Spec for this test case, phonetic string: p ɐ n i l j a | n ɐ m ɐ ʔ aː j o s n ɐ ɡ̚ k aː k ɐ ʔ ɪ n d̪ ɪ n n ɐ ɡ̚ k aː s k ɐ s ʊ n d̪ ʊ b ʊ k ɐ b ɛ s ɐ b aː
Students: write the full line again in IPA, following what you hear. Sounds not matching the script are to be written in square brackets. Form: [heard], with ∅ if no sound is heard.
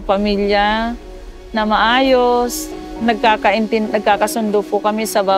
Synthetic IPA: p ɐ [m] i l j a | n ɐ m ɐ ʔ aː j o s n ɐ ɡ̚ k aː k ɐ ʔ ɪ n [t̪] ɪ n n ɐ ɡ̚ k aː [∅] k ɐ s ʊ n d̪ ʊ [p] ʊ k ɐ [m] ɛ s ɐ b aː